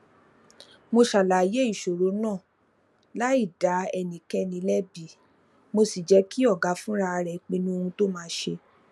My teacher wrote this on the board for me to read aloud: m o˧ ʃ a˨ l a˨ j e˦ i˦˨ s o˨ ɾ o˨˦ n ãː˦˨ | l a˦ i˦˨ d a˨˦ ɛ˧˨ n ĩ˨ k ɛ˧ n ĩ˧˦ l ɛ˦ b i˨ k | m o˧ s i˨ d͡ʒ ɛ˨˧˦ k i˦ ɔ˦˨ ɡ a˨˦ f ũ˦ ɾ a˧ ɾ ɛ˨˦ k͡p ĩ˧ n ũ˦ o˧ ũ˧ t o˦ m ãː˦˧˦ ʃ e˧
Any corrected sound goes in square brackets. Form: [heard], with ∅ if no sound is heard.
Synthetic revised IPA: m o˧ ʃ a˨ l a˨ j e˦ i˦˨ [ʃ] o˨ ɾ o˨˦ n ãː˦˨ | l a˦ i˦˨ d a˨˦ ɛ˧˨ n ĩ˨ k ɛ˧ n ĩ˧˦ l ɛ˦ b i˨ [∅] | m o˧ s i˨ d͡ʒ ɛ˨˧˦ k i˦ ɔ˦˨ ɡ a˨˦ f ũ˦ ɾ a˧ ɾ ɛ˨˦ k͡p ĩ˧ n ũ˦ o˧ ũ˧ t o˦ m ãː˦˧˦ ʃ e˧